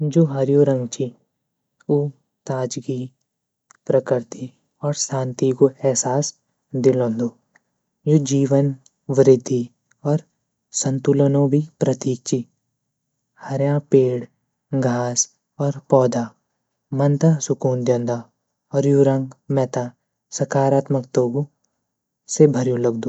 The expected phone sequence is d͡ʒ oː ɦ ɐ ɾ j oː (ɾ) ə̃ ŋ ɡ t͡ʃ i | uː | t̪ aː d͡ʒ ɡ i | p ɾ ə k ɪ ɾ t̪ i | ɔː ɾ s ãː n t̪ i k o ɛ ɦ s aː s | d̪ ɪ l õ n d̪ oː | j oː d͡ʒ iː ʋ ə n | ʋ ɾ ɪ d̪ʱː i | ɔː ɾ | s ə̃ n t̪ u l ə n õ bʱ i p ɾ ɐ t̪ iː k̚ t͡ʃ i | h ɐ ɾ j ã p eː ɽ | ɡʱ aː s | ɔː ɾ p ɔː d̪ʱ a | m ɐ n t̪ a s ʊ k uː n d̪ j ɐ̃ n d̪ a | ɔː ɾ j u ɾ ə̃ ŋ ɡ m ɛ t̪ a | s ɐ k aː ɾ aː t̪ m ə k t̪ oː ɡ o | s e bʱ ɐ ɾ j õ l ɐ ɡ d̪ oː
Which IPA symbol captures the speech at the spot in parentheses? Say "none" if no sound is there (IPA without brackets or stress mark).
ɾ